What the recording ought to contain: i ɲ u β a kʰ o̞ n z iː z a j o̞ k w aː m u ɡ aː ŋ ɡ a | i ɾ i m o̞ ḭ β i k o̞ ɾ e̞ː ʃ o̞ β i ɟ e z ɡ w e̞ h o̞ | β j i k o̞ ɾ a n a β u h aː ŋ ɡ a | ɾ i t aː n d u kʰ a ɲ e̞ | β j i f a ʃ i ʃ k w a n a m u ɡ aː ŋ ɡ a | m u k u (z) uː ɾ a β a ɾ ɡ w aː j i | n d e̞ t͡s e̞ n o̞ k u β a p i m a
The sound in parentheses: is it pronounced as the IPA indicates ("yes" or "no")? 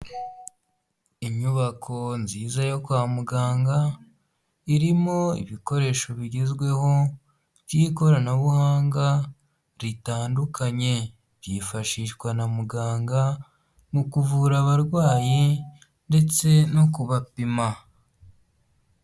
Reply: no